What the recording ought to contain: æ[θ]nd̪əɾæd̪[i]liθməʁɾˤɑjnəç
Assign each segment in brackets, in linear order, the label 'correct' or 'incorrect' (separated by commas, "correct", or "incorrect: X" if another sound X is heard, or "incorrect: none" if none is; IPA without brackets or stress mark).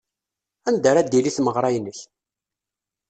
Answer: incorrect: none, correct